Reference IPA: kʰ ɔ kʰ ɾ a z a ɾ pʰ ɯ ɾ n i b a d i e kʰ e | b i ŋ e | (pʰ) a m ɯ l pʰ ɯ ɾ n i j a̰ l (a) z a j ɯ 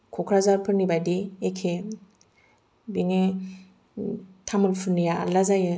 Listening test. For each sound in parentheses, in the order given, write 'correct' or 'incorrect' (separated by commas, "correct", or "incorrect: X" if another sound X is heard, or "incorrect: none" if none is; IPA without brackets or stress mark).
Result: incorrect: tʰ, correct